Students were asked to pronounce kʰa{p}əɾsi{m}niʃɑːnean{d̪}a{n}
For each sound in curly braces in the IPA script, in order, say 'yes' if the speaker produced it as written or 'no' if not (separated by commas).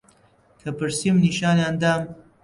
yes, yes, yes, no